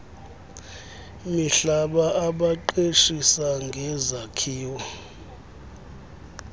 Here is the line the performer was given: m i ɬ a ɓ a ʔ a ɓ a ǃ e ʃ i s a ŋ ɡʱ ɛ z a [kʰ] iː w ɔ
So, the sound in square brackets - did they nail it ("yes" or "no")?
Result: yes